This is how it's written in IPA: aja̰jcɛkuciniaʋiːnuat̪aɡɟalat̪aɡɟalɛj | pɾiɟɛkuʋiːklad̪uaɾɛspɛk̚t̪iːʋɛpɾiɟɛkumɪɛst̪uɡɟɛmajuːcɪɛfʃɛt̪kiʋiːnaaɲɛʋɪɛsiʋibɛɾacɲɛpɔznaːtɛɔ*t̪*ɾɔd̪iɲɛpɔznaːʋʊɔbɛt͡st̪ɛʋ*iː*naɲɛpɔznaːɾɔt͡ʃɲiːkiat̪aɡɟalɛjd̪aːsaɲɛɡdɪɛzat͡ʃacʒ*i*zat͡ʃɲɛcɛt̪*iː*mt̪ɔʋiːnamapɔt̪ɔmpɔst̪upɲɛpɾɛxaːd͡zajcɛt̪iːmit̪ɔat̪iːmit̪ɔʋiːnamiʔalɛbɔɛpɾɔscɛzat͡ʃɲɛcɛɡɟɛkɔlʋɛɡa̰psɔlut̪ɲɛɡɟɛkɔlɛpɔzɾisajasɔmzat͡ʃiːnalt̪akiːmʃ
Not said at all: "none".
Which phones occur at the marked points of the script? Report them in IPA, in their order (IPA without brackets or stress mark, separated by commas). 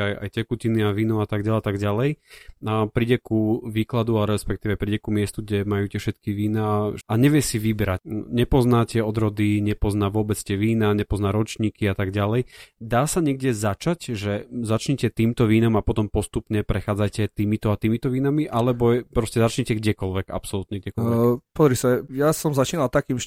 d̪, iː, ɛ, iː